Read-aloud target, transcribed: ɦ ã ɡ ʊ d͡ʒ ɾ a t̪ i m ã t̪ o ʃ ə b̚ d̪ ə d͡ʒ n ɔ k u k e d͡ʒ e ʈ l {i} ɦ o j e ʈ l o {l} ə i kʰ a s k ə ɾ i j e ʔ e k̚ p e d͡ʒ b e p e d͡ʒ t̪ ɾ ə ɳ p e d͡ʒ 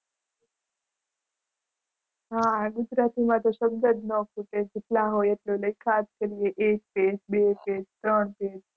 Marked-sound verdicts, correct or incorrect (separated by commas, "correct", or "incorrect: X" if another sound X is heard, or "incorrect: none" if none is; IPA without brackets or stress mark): incorrect: a, correct